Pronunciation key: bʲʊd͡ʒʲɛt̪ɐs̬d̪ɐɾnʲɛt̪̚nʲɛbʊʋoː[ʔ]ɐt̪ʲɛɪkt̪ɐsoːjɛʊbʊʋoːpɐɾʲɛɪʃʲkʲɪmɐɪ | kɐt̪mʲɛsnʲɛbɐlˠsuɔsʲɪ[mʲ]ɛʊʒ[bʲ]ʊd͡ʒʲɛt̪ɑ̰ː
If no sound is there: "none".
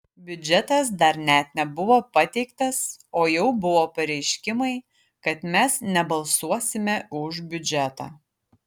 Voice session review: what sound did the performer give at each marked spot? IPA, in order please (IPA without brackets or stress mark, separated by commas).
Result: p, mʲ, bʲ